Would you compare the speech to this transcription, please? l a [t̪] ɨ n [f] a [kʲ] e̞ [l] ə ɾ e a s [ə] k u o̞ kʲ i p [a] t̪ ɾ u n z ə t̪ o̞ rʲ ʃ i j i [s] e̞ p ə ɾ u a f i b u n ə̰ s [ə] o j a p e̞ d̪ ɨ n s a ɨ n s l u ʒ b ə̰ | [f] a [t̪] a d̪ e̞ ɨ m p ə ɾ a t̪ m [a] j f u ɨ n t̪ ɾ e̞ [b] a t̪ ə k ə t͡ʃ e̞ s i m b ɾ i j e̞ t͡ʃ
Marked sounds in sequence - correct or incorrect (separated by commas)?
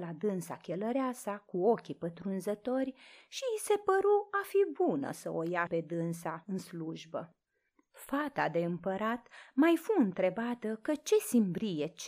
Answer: incorrect, incorrect, correct, correct, incorrect, incorrect, correct, correct, correct, correct, correct, correct